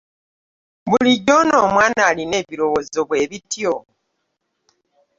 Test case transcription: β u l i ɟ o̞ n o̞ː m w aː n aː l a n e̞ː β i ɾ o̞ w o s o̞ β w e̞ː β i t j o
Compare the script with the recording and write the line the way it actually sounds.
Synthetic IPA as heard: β u l i ɟ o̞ n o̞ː m w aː n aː l i n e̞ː β i ɾ o̞ w o z o̞ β w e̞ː β i t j o